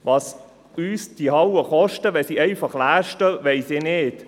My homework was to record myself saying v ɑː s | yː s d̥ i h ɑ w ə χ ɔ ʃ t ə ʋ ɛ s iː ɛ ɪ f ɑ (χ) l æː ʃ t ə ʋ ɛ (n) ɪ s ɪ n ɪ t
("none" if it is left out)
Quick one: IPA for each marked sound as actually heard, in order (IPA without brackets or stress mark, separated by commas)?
χ, none